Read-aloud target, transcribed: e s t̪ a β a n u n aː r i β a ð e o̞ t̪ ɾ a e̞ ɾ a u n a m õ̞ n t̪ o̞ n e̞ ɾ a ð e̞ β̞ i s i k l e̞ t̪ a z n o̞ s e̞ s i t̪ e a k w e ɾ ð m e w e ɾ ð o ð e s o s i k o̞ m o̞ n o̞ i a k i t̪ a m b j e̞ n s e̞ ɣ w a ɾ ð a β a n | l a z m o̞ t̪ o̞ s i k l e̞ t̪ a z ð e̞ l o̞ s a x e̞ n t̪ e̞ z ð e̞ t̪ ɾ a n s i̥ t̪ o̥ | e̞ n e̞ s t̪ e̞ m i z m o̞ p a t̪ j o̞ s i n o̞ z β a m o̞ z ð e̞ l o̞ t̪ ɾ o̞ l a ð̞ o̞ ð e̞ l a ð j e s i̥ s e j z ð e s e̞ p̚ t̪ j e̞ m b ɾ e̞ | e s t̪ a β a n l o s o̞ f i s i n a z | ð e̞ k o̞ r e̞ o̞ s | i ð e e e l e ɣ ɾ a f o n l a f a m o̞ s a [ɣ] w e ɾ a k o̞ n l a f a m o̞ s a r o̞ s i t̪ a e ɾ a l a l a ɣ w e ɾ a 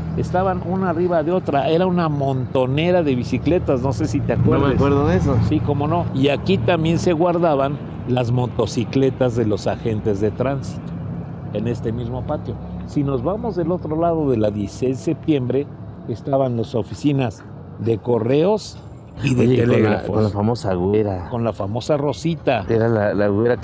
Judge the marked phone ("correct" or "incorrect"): correct